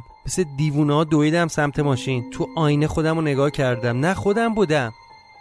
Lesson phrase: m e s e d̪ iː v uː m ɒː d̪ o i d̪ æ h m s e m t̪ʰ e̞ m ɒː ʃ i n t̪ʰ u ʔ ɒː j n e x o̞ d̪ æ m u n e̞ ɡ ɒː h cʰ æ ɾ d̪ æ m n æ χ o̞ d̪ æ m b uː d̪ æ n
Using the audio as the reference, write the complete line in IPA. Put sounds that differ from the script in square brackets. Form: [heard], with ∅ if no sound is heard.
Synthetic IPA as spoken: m e s e d̪ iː v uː [n] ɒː d̪ o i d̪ æ [∅] m s [æ] m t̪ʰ e̞ m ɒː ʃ i n t̪ʰ u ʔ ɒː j n e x o̞ d̪ æ m [o] n e̞ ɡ ɒː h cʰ æ ɾ d̪ æ m n æ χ o̞ d̪ æ m b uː d̪ æ [m]